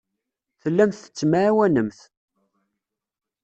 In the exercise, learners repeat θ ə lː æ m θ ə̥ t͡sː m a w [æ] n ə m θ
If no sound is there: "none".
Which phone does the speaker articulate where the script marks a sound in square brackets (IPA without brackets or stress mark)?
æ